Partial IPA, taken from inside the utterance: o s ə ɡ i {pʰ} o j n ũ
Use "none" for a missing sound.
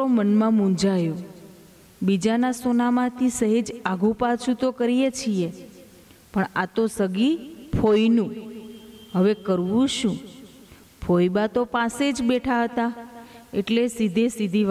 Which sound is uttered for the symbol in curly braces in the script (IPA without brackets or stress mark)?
pʰ